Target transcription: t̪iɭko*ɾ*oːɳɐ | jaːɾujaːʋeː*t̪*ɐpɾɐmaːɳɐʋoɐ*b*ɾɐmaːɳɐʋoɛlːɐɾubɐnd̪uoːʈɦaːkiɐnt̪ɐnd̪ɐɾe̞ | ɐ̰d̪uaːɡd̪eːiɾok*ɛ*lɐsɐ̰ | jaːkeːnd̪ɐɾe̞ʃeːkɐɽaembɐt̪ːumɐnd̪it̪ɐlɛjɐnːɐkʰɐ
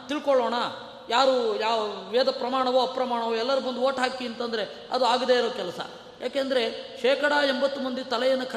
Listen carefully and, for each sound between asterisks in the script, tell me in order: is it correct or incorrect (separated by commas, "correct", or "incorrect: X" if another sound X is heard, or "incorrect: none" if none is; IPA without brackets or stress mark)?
incorrect: ɭ, incorrect: d̪, incorrect: p, correct